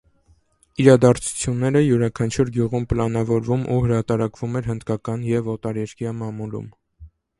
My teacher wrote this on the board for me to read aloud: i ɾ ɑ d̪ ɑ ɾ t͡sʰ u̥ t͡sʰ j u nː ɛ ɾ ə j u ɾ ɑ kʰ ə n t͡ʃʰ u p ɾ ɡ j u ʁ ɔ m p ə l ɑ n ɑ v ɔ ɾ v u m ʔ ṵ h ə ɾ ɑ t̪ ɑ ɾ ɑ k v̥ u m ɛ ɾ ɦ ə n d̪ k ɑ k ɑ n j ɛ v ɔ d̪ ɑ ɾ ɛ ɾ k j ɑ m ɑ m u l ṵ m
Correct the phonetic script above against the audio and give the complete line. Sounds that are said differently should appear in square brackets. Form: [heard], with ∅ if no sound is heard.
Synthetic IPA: i ɾ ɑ d̪ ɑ ɾ t͡sʰ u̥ t͡sʰ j u nː ɛ ɾ ə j u ɾ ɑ kʰ [ɑ] n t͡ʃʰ u [∅] ɾ ɡ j u ʁ [u] m p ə l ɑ n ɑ v ɔ ɾ v u m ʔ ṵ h ə ɾ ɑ t̪ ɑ ɾ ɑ k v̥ u m ɛ ɾ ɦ ə n d̪ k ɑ k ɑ n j ɛ v ɔ [t̪] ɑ ɾ ɛ ɾ k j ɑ m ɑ m u l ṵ m